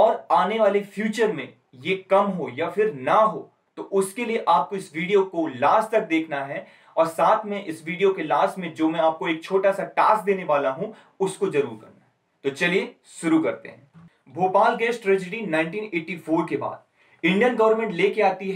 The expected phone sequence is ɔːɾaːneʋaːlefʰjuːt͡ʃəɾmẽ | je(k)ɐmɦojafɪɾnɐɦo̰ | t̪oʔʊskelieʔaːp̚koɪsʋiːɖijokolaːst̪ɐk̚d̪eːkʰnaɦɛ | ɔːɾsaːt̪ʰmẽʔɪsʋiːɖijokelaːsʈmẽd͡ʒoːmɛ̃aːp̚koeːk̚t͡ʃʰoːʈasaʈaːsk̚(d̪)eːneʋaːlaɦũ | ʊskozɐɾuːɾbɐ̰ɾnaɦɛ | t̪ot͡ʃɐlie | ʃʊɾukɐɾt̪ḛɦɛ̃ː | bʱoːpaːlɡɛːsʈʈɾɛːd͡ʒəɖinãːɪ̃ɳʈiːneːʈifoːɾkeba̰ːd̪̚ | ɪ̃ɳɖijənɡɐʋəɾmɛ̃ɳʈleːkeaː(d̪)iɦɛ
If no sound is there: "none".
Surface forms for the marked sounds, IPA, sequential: k, d̪, t̪

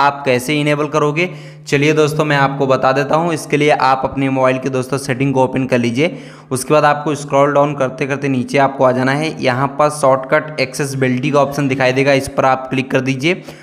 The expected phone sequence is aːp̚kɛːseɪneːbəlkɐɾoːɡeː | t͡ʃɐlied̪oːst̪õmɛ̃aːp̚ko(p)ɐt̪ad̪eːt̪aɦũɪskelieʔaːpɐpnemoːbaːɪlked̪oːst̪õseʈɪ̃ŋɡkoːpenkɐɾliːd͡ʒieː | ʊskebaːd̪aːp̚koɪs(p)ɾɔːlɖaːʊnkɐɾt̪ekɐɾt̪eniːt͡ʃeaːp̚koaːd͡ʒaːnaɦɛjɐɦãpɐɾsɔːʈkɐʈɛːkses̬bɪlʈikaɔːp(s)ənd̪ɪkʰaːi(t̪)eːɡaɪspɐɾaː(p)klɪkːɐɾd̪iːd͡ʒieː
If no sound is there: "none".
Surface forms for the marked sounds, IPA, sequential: b, k, ʃ, d̪, p

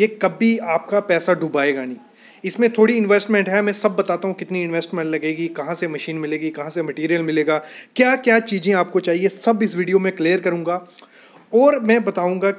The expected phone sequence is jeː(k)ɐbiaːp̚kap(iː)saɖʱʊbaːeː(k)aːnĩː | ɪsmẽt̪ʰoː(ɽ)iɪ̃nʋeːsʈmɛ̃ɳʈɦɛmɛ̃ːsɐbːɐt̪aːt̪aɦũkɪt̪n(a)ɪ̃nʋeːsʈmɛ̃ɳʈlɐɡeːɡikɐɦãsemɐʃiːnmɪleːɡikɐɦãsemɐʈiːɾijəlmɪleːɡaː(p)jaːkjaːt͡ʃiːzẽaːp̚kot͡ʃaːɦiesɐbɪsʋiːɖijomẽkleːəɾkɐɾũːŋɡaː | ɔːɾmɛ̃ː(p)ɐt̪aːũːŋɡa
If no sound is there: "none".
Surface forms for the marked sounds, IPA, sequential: k, ɛː, ɡ, ɽ, i, k, b

